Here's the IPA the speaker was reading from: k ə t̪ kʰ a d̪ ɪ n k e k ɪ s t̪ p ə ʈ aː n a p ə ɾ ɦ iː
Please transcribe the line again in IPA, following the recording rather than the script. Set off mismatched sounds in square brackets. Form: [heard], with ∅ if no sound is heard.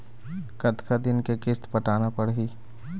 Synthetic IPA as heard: k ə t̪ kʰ a d̪ ɪ n k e k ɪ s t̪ p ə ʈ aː n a p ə [ɽ] ɦ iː